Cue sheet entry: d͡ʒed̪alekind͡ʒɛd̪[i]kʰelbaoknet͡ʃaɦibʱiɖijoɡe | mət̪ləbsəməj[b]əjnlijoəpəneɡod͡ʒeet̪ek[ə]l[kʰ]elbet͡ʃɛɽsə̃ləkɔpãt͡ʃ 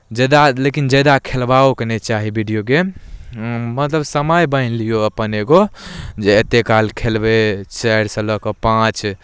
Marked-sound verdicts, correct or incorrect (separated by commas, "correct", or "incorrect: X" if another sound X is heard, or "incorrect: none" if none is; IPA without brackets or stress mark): incorrect: a, correct, incorrect: a, correct